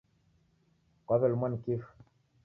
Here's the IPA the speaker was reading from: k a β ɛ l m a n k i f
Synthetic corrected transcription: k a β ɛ l m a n k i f

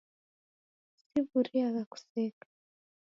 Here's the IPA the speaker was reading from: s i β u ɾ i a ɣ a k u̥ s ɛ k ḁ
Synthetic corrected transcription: s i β u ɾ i a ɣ a k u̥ s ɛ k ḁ

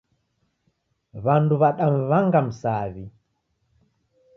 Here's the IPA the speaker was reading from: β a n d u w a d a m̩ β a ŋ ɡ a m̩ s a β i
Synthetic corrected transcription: β a n d u β a ɗ a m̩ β a ŋ ɡ a m̩ s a β i

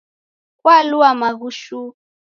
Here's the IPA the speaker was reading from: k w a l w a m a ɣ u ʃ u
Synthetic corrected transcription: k w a l u a m a ɣ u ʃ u

